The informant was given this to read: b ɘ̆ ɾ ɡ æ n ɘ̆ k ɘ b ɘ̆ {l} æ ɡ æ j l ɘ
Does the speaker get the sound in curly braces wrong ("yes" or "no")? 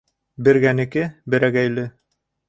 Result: yes